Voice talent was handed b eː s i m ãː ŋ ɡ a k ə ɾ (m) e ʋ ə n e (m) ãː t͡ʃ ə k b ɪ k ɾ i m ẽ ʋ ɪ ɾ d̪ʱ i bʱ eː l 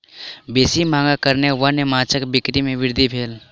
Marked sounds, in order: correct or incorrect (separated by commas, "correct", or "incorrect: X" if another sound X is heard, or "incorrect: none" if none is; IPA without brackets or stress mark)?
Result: incorrect: n, correct